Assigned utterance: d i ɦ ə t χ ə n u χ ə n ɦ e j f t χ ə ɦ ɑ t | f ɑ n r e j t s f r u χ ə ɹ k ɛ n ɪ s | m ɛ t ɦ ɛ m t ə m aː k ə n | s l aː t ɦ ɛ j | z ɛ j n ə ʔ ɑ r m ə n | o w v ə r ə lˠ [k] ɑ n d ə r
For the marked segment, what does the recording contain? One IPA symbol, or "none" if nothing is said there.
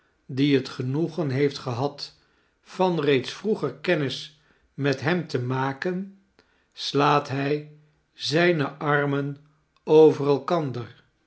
k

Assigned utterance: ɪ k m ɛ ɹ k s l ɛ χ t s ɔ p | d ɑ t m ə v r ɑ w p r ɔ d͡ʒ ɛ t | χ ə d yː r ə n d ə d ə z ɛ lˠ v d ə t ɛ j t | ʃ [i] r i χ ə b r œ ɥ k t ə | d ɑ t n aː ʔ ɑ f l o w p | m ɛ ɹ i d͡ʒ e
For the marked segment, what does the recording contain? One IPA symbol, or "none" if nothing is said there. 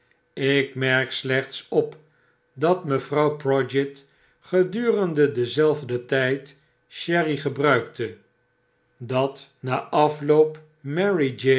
ɛ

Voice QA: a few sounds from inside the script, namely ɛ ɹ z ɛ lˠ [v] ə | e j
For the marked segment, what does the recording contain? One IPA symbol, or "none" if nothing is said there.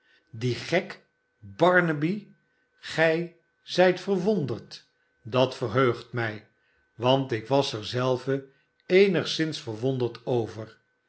v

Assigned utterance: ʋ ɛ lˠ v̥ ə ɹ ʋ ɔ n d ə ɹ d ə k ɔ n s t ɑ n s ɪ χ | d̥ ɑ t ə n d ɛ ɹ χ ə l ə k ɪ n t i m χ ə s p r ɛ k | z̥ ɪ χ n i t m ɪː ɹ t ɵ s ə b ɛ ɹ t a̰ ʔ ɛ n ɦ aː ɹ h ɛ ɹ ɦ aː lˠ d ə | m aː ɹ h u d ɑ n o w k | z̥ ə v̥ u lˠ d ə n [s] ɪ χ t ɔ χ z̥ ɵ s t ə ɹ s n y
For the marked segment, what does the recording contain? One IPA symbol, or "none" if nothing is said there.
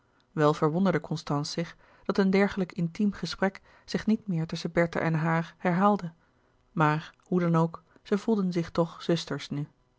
z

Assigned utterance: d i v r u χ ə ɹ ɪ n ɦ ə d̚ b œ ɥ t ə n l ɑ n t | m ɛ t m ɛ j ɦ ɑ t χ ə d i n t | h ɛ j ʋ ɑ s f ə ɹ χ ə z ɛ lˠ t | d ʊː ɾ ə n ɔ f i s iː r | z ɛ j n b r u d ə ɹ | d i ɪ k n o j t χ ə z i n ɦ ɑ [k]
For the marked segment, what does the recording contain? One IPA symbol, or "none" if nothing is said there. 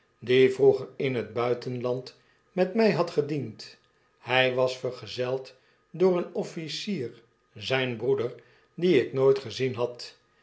t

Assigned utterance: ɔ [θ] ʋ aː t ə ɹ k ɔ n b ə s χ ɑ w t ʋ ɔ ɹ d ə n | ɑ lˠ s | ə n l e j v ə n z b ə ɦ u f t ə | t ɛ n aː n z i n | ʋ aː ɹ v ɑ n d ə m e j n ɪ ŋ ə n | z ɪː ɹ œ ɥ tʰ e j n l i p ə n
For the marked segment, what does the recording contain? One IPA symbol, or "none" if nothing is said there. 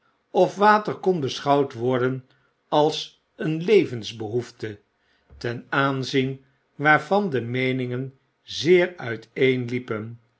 f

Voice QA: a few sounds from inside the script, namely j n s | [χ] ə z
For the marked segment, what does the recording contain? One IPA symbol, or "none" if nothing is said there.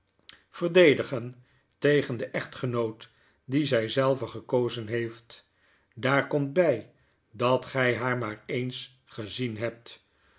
χ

